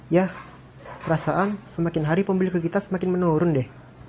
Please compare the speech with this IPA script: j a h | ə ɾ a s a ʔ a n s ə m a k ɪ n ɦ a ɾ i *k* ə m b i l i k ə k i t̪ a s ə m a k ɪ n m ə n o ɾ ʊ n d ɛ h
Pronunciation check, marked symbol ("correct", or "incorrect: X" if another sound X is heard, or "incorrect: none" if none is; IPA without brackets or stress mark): incorrect: p